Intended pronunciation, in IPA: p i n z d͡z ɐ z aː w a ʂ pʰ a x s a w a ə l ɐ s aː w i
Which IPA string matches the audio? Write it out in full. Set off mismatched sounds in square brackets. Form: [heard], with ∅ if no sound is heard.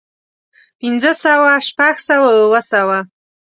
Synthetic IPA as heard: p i n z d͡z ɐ [s] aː w a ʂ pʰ a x s a w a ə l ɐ s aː w [a]